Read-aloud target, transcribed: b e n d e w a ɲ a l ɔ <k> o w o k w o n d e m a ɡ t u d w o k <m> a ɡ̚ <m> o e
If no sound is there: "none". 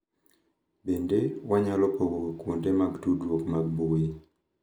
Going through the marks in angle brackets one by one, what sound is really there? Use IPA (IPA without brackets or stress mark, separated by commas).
p, m, b